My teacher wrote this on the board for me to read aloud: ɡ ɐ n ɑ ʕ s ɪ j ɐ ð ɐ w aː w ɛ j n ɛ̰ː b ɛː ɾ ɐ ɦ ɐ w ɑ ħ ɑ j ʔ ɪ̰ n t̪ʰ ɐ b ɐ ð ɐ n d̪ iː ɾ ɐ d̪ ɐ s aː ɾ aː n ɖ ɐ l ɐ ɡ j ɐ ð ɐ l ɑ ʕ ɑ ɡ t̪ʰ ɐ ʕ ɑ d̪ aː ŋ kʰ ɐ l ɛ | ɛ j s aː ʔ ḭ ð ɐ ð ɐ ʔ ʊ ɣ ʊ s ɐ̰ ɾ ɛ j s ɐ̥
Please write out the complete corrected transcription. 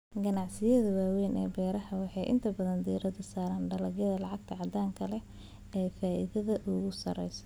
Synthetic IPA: ɡ ɐ n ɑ ʕ s ɪ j ɐ ð ɐ w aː w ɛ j n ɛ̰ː b ɛː ɾ ɐ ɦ ɐ w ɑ ħ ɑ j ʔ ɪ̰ n t̪ʰ ɐ b ɐ ð ɐ n d̪ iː ɾ ɐ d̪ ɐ s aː ɾ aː n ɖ ɐ l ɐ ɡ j ɐ ð ɐ l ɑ ʕ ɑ ɡ t̪ʰ ɐ ʕ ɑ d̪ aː ŋ kʰ ɐ l ɛ | ɛ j f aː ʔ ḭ ð ɐ ð ɐ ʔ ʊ ɣ ʊ s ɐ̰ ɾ ɛ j s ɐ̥